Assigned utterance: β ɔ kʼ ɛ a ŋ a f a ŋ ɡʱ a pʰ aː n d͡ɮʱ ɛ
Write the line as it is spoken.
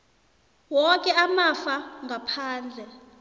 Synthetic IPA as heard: w ɔ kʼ ɛ a m a f a ŋ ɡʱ a pʰ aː n d͡ɮʱ ɛ